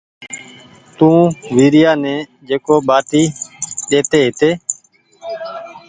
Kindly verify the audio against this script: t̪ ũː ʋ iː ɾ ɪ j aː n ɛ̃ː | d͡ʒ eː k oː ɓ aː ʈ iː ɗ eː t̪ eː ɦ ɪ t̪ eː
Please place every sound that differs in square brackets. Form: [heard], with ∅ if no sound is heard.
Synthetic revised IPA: t̪ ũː ʋ iː ɾ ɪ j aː n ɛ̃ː | d͡ʒ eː k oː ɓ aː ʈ iː ɗ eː t̪ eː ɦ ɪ t̪ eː